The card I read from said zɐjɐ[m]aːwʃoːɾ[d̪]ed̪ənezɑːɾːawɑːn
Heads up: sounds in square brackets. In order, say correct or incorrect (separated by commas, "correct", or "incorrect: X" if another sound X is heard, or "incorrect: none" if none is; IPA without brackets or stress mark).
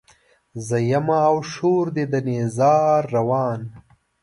correct, correct